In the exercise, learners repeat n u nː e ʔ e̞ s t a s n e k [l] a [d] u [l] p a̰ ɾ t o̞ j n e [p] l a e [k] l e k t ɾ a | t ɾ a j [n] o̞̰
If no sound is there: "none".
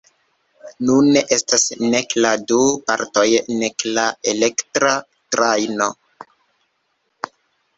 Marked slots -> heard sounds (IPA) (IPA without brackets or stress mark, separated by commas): l, d, none, k, none, n